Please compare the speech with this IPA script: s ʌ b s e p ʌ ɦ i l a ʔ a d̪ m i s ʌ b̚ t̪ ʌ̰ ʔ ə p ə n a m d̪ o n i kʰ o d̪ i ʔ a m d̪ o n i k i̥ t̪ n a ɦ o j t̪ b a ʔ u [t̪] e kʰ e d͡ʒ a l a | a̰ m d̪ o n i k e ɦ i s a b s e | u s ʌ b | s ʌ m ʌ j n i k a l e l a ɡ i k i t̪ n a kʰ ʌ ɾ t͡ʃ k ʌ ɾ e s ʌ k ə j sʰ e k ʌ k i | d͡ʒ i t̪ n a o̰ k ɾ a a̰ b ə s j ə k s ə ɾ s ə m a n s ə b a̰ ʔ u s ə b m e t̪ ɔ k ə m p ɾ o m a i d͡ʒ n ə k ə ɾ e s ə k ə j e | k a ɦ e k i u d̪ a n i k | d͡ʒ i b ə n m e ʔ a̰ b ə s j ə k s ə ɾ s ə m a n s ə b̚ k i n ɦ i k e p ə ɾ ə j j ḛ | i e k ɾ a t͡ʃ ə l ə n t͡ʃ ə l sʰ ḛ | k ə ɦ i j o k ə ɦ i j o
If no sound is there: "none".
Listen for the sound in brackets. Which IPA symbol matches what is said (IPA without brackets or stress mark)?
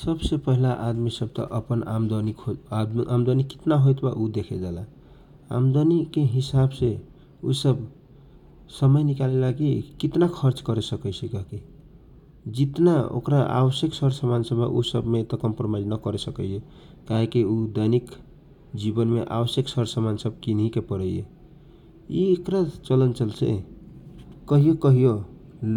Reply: d̪